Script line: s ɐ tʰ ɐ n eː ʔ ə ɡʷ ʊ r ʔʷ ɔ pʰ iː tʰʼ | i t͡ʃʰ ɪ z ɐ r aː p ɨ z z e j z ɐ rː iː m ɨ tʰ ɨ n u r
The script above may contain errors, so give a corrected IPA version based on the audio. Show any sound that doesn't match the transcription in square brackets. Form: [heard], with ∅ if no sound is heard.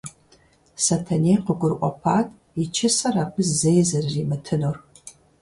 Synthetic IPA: s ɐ tʰ ɐ n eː [q] ə ɡʷ ʊ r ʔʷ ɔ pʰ [aː] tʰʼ | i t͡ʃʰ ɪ [s] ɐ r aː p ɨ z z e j z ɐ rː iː m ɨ tʰ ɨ n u r